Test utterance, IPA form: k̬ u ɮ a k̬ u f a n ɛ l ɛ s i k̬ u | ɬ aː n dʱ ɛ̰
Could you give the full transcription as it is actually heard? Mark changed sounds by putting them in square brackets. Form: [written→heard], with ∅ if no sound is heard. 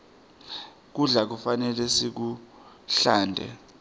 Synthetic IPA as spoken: k̬ u ɮ a k̬ u f a n ɛ l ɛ s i k̬ u | ɬ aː n dʱ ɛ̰